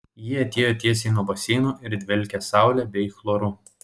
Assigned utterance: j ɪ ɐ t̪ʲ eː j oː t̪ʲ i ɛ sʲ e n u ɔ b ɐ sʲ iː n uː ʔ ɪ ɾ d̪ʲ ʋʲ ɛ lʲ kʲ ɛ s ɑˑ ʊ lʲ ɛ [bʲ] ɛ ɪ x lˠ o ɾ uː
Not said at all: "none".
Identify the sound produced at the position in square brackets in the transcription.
bʲ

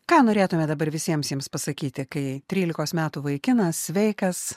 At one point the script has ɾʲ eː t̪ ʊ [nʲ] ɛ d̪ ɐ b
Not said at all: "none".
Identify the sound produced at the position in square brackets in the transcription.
mʲ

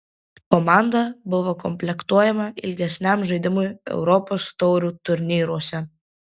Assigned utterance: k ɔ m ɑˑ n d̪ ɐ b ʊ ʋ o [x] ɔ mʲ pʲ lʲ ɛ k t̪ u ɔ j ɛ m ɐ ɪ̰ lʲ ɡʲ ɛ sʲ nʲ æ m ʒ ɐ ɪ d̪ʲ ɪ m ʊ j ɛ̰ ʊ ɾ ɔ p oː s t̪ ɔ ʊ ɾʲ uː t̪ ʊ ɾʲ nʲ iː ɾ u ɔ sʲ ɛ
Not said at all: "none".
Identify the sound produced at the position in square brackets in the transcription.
k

